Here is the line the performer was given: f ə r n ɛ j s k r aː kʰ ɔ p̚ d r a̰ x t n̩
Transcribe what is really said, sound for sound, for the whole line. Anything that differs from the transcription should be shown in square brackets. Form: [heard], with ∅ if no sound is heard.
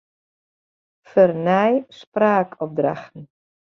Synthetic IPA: f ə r n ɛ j s [p] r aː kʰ ɔ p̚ d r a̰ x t n̩